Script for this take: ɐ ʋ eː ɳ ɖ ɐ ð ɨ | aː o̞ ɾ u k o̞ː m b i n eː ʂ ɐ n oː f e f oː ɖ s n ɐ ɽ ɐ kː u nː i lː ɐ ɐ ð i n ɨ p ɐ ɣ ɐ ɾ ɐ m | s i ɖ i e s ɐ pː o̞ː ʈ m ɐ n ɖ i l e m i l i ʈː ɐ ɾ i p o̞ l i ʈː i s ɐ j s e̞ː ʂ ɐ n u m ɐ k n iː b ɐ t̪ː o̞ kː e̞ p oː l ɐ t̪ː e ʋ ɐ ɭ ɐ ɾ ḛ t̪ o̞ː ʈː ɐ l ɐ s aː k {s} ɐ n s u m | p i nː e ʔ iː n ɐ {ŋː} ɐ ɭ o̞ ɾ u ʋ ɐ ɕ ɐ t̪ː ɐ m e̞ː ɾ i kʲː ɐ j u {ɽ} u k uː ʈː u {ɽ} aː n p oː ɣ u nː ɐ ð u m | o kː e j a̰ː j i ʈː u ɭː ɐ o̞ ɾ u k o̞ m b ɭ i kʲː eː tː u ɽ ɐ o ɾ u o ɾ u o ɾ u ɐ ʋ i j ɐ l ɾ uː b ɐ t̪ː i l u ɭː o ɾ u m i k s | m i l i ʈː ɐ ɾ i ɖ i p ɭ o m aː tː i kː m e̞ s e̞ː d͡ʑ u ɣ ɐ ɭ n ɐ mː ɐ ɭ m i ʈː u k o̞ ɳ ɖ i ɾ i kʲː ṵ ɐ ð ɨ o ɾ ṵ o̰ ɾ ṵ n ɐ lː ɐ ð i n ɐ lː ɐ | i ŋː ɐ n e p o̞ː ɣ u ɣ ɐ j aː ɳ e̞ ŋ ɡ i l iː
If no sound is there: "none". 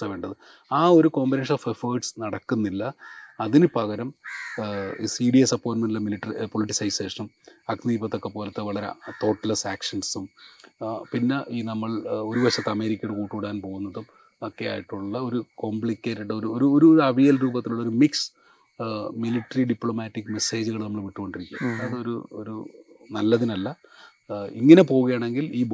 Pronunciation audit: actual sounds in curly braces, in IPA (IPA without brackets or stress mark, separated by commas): ʂ, mː, ɽ, ɽ